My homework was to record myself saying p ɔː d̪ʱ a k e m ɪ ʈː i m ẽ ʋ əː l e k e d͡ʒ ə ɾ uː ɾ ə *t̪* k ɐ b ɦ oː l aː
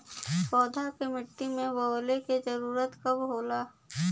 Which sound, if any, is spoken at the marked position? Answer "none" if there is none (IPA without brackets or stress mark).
t̪